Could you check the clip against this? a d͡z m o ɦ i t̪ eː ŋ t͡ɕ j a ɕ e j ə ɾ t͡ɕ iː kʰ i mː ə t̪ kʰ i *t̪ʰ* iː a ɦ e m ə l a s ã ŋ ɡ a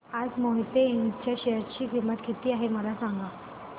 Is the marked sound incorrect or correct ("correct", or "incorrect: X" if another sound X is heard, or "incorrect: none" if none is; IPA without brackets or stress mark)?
incorrect: t̪